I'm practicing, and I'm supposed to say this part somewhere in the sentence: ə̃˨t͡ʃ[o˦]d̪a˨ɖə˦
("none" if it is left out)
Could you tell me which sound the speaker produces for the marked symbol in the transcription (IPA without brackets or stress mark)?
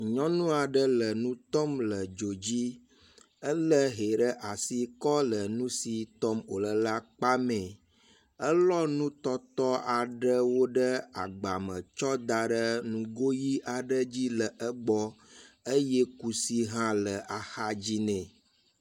ɔ˦